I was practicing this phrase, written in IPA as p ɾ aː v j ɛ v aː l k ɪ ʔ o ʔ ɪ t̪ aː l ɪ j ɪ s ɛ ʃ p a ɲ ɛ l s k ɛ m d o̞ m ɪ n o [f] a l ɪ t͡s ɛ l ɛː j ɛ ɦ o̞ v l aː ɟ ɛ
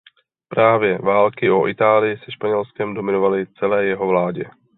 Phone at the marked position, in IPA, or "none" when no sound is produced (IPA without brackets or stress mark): v